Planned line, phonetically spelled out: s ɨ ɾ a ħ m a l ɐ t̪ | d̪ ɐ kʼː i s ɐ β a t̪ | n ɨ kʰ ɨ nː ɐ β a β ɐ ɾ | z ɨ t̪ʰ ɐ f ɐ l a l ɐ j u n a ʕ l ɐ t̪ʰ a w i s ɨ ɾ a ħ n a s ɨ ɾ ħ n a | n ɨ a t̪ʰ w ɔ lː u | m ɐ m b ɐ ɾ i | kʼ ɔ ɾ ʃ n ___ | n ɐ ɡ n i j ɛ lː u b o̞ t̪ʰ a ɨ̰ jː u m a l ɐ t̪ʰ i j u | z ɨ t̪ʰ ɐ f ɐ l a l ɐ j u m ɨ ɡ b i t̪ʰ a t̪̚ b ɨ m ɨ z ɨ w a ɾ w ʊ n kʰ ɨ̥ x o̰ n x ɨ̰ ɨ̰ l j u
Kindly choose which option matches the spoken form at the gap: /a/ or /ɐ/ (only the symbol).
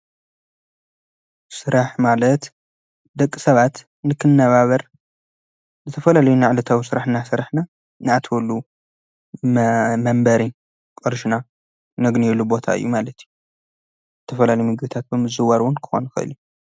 a